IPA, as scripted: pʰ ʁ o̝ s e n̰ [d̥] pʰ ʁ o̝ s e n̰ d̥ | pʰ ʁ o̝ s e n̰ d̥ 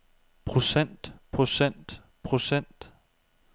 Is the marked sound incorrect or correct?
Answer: correct